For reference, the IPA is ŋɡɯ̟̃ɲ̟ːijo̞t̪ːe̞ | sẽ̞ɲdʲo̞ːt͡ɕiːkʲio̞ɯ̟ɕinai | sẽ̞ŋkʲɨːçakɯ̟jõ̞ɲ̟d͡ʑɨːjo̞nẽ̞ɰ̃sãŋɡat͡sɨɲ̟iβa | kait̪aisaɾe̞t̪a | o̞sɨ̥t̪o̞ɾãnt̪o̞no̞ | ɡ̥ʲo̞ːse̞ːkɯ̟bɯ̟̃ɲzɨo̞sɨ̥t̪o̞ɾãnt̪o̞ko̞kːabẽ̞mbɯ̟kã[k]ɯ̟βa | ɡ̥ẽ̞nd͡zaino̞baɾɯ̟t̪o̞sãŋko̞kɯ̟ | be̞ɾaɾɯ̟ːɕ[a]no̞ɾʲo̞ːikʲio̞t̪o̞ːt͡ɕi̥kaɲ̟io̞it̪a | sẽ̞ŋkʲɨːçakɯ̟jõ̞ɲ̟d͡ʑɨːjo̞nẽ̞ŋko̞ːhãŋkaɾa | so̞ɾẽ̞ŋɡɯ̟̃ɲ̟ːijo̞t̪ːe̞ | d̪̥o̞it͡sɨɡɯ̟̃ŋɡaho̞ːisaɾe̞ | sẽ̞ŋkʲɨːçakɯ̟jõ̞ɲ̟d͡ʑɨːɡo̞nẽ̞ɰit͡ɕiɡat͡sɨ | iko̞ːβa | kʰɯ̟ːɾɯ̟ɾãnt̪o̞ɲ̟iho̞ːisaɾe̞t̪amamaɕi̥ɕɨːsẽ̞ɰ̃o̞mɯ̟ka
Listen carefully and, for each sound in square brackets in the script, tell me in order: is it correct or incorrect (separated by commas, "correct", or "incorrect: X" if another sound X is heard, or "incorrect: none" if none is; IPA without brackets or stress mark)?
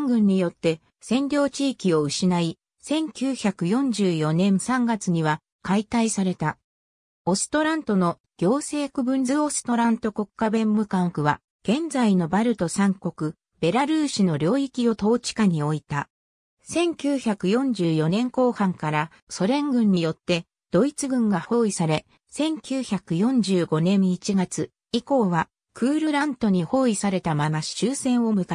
correct, incorrect: i